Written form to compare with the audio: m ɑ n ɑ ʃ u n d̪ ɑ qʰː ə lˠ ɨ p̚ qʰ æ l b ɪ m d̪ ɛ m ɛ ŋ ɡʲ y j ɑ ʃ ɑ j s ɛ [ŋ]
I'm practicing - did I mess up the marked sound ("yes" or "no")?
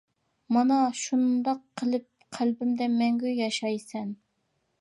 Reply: yes